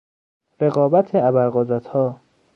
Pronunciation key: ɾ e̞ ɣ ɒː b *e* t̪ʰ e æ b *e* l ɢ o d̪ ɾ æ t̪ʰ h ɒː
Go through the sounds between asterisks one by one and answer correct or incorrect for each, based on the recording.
incorrect, incorrect

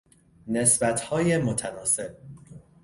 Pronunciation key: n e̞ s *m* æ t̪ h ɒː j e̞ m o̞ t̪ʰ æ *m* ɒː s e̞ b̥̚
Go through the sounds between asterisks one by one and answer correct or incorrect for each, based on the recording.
incorrect, incorrect

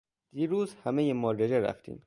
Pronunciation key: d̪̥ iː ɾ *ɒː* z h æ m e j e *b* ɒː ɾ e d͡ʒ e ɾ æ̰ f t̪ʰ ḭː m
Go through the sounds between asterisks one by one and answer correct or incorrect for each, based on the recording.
incorrect, incorrect

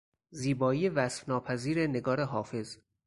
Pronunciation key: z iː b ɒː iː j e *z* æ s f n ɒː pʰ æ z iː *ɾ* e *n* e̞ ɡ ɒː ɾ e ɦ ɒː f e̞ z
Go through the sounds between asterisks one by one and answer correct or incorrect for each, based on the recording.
incorrect, correct, correct

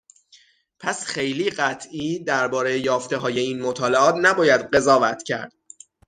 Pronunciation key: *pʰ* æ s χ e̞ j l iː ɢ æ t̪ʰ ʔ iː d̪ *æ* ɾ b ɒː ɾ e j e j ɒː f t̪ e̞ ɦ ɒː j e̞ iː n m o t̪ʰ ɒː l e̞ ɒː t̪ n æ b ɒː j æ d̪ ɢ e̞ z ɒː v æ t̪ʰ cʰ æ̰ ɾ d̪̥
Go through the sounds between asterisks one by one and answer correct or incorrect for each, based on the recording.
correct, correct

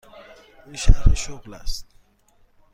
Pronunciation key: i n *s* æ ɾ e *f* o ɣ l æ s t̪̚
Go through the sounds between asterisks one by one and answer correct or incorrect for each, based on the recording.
incorrect, incorrect

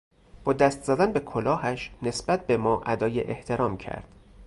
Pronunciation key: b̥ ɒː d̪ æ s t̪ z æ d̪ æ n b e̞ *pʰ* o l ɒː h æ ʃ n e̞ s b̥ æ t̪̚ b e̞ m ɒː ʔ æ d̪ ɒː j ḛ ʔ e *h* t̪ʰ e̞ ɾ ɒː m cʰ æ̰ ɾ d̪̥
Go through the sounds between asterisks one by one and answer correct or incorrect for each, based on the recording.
incorrect, correct

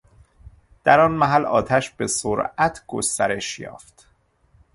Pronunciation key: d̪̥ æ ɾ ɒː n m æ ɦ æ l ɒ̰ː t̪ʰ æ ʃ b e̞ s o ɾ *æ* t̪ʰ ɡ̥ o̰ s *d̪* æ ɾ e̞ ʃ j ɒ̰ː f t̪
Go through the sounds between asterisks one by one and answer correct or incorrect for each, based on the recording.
correct, incorrect

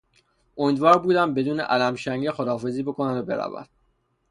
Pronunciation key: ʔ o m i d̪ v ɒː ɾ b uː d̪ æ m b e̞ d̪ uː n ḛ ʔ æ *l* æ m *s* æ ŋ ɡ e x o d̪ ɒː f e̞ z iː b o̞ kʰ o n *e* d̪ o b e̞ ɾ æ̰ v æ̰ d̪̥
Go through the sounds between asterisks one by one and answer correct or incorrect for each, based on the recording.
correct, incorrect, incorrect

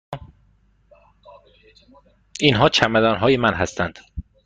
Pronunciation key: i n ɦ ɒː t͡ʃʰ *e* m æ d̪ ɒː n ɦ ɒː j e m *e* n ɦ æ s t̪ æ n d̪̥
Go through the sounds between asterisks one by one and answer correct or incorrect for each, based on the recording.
incorrect, incorrect

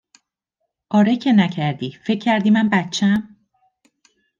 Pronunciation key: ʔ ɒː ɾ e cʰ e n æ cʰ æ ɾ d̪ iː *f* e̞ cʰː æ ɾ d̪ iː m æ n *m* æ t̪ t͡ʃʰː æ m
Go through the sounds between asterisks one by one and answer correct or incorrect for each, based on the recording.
correct, incorrect

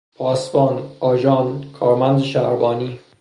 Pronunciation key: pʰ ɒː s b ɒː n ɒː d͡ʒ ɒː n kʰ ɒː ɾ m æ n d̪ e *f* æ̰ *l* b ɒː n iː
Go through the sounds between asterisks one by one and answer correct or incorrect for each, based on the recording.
incorrect, incorrect

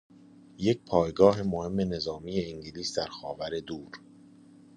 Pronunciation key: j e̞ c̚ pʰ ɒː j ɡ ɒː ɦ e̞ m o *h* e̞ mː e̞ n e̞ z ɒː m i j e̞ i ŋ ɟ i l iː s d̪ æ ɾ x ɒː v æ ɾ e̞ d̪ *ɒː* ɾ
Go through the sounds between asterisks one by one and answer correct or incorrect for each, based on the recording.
correct, incorrect

